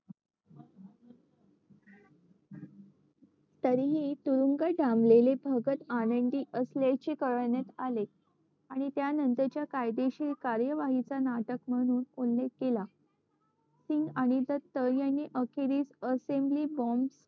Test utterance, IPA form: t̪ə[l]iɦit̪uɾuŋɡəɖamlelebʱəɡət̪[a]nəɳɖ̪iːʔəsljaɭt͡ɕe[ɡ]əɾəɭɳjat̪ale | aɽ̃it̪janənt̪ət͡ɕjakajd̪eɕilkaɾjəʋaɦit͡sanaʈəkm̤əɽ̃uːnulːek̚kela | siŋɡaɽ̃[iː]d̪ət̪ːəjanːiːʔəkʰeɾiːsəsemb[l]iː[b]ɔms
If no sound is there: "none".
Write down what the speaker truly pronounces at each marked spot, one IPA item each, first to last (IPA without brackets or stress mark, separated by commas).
ɾ, a, k, i, l, b